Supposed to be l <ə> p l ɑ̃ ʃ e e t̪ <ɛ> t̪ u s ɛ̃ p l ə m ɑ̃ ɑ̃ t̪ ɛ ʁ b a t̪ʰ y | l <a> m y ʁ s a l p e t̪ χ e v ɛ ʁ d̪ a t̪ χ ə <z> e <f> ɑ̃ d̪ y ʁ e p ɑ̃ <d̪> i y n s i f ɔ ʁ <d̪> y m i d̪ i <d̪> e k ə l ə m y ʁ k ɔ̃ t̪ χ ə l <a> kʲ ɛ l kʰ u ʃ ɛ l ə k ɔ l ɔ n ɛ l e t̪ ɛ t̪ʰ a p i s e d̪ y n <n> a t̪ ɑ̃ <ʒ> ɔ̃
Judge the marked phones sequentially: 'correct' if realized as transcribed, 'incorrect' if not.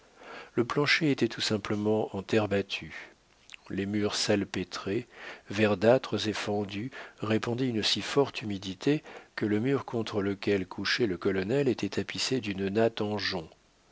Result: correct, correct, incorrect, correct, correct, correct, incorrect, incorrect, incorrect, correct, correct

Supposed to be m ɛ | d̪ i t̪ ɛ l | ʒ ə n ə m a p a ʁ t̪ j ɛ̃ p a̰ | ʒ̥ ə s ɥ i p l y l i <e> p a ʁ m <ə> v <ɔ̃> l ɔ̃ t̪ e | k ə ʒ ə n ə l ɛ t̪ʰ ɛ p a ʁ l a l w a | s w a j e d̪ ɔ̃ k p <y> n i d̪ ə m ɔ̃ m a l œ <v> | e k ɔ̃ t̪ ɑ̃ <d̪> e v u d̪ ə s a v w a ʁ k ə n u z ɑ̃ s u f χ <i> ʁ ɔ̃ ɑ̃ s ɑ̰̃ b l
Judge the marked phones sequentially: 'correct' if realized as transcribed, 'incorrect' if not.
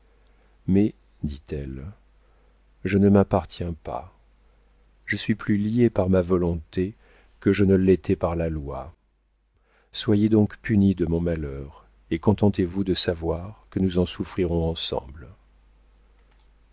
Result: correct, incorrect, incorrect, correct, incorrect, incorrect, correct

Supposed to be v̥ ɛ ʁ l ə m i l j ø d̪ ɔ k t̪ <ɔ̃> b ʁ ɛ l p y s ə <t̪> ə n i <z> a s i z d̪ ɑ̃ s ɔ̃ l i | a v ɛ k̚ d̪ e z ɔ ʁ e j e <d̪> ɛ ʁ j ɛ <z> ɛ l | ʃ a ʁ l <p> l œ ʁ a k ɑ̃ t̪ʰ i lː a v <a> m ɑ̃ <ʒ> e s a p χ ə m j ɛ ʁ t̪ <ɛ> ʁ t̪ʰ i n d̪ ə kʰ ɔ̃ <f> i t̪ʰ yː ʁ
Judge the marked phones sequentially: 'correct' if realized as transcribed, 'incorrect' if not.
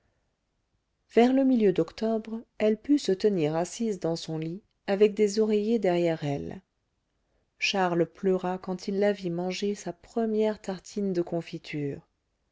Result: incorrect, correct, incorrect, correct, incorrect, correct, incorrect, correct, incorrect, correct

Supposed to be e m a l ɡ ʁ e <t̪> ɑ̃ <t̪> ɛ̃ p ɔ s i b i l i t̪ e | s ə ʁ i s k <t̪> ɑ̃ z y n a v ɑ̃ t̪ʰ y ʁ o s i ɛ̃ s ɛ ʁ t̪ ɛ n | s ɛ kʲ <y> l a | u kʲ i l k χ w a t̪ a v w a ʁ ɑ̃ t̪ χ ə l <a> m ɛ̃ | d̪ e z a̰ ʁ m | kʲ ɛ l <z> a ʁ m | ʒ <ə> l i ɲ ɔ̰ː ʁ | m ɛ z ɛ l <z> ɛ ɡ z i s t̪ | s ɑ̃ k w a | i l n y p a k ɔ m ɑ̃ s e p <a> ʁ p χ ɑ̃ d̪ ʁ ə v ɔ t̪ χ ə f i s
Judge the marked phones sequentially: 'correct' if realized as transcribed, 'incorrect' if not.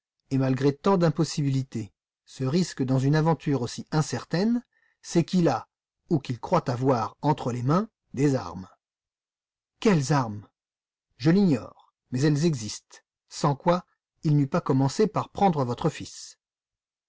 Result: correct, incorrect, incorrect, incorrect, incorrect, correct, correct, correct, correct

